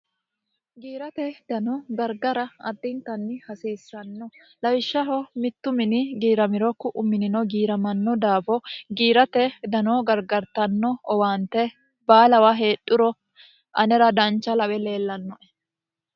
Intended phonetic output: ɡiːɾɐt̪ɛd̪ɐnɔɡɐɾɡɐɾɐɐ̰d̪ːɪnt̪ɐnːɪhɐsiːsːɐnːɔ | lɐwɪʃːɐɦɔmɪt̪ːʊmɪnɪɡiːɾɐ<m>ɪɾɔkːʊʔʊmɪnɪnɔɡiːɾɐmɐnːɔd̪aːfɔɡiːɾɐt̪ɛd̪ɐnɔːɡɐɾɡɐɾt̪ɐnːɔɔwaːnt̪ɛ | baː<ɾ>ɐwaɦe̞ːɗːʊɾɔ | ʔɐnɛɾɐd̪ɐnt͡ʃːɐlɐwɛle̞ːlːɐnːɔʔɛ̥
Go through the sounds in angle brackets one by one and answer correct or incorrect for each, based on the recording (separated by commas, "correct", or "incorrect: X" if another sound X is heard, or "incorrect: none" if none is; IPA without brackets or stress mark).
correct, incorrect: l